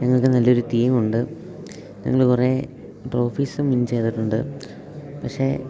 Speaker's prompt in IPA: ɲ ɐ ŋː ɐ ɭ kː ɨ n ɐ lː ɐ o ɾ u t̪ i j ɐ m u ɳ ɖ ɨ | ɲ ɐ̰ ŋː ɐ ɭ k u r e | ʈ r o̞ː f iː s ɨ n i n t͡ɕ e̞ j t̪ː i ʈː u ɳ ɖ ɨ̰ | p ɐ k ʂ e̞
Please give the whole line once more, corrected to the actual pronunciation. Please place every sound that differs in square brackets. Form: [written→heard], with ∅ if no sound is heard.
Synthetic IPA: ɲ ɐ ŋː ɐ ɭ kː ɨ n ɐ lː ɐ o ɾ u t̪ i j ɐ m u ɳ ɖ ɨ | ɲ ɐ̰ ŋː ɐ ɭ k u r e | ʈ r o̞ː f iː s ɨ [n→m] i n t͡ɕ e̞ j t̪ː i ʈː u ɳ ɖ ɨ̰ | p ɐ k ʂ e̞

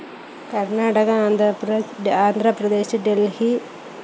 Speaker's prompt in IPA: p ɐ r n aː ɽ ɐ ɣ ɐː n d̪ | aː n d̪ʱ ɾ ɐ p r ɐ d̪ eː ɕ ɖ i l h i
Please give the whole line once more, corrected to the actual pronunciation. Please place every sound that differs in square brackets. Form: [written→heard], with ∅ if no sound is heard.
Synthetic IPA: [p→k] ɐ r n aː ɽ ɐ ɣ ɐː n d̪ | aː n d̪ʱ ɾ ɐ p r ɐ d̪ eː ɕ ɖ [i→e] l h i

